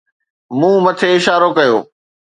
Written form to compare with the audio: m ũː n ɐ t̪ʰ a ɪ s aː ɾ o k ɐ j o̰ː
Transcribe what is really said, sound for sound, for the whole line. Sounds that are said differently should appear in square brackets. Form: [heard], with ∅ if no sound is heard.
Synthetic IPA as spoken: m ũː [m] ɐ t̪ʰ [e] ɪ [ʃ] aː ɾ o k ɐ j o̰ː